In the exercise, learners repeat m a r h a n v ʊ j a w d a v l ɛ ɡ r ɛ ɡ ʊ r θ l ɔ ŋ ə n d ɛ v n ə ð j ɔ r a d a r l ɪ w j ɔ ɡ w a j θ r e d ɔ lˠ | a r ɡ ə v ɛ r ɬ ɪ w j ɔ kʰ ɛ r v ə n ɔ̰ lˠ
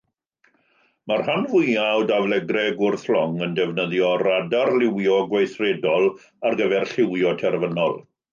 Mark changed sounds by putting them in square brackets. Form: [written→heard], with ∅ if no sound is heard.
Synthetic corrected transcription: m a r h a n v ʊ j a w d a v l ɛ ɡ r ɛ ɡ ʊ r θ l ɔ ŋ ə n d ɛ v n ə ð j ɔ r a d a r l ɪ w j ɔ ɡ w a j θ r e d ɔ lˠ | a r ɡ ə v ɛ r ɬ ɪ w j ɔ [kʰ→tʰ] ɛ r v ə n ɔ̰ lˠ